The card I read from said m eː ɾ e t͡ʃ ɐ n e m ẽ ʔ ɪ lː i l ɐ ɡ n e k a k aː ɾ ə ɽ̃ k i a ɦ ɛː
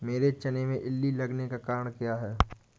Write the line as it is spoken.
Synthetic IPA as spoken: m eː ɾ e t͡ʃ ɐ n e m ẽ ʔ ɪ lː i l ɐ ɡ n e k a k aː ɾ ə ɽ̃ k j a ɦ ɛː